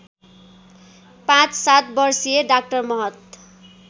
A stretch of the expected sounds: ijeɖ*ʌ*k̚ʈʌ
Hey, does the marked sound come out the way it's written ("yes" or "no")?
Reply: no